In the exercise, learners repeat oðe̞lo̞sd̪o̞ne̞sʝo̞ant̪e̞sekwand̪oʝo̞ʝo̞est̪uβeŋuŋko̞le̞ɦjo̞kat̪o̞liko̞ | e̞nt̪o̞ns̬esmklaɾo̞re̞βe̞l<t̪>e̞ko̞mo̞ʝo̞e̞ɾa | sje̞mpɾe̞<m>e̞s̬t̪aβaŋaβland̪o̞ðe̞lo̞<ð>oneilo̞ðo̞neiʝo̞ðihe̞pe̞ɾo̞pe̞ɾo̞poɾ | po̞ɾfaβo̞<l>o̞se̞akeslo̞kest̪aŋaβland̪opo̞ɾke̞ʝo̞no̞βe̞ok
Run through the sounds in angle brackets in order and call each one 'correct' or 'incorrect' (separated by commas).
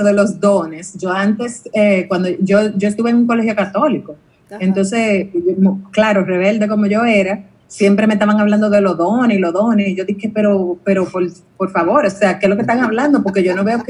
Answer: incorrect, correct, correct, incorrect